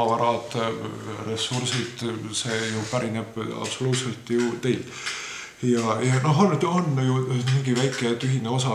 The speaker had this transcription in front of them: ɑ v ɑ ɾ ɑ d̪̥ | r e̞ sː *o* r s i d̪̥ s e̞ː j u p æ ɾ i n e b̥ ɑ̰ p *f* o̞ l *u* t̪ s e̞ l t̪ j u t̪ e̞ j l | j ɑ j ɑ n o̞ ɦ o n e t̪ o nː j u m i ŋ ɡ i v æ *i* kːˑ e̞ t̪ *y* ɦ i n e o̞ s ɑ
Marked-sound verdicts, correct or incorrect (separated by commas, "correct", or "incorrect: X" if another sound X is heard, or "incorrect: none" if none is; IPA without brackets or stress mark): incorrect: u, incorrect: s, incorrect: uː, incorrect: j, correct